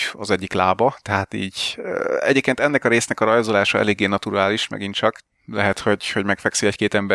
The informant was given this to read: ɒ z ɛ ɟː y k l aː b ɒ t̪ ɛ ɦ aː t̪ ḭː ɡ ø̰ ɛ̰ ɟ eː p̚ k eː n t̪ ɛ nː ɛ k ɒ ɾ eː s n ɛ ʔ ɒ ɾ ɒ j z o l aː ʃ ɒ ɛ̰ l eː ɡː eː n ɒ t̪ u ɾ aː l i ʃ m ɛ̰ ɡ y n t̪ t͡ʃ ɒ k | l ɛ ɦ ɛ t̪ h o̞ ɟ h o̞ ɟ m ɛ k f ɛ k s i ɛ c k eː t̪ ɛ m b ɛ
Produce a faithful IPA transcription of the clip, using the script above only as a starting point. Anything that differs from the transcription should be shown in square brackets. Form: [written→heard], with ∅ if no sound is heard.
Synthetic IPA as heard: ɒ z ɛ ɟː [y→i] k l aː b ɒ t̪ ɛ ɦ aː t̪ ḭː [ɡ→ɟ] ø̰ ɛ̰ ɟ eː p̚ k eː n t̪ ɛ nː ɛ k ɒ ɾ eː s n ɛ [ʔ→k] ɒ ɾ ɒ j z o l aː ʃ ɒ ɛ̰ l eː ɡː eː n ɒ t̪ u ɾ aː l i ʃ m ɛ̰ ɡ [y→i] n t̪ t͡ʃ ɒ k | l ɛ ɦ ɛ t̪ h o̞ ɟ h o̞ ɟ m ɛ k f ɛ k s i ɛ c k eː t̪ ɛ m b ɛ